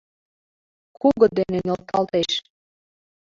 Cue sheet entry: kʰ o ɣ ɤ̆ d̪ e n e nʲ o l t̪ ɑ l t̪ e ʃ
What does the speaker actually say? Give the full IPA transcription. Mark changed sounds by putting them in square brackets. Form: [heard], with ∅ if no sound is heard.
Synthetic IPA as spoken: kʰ [u] ɣ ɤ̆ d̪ e n e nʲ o l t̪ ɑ l t̪ e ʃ